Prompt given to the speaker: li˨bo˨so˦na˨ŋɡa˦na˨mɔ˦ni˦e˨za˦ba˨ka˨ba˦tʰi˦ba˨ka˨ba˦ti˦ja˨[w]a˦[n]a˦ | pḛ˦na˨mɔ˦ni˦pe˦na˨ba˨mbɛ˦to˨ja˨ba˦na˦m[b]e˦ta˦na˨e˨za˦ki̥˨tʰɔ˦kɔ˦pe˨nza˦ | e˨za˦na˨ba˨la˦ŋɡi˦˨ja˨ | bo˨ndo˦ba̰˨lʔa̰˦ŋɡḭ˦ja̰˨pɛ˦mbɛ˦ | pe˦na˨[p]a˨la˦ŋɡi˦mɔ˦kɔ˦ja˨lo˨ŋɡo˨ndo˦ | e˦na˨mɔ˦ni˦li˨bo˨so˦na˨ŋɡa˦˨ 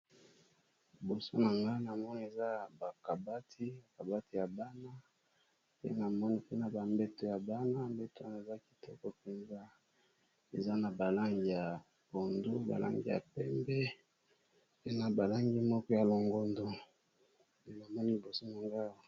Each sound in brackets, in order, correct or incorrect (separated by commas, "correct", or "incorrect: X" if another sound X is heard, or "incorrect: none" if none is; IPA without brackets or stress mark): incorrect: b, correct, correct, incorrect: b